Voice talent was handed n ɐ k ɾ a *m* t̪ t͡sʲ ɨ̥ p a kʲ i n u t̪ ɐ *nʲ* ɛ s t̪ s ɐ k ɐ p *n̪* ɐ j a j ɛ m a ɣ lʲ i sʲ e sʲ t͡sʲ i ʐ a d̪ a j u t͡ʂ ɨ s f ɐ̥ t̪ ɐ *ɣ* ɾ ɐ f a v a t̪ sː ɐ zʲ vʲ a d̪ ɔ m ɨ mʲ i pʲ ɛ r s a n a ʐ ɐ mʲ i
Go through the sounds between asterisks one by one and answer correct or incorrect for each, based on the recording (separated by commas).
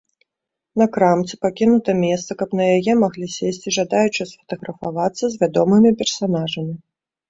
correct, incorrect, correct, correct